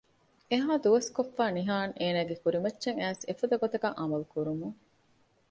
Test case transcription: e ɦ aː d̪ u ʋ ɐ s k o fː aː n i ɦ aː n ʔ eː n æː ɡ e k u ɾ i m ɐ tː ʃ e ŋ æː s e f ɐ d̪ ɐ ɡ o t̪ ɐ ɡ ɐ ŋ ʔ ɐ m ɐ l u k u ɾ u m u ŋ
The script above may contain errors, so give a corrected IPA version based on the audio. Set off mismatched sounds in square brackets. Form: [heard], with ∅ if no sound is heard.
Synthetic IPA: e ɦ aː d̪ u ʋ ɐ s k o fː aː n i ɦ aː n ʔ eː n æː ɡ e k u ɾ i m ɐ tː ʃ e ŋ æː s e f ɐ d̪ ɐ ɡ o t̪ ɐ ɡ ɐ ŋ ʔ ɐ m ɐ l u k u ɾ u m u ŋ